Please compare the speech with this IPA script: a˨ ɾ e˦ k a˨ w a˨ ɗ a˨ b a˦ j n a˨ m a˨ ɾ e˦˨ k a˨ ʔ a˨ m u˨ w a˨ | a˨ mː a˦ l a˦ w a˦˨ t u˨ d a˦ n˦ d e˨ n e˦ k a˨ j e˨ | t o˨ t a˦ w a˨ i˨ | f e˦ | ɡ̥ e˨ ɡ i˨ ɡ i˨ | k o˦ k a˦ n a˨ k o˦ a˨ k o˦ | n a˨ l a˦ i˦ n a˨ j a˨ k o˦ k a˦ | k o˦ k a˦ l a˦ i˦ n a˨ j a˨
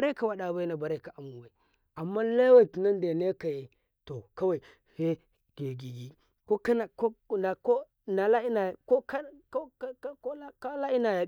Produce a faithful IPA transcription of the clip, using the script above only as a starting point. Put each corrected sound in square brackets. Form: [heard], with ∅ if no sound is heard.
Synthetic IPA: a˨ ɾ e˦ k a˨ w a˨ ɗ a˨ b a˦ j n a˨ [b] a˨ ɾ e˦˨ k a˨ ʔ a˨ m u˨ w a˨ | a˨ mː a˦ l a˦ w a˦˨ t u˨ [n] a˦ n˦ d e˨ n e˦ k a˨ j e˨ | t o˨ [k] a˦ w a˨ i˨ | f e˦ | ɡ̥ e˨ ɡ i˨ ɡ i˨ | k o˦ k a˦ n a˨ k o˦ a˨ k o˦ | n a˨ l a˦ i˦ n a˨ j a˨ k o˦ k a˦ | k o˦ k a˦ l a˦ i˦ n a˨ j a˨